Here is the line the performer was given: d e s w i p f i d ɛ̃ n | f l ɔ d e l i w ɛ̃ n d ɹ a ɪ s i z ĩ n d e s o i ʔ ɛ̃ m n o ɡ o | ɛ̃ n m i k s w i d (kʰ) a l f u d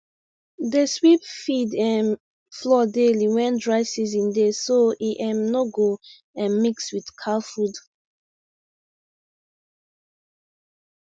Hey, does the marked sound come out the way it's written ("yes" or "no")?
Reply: yes